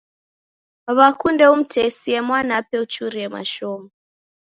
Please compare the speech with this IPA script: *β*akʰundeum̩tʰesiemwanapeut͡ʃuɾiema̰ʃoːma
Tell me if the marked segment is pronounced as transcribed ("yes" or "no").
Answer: yes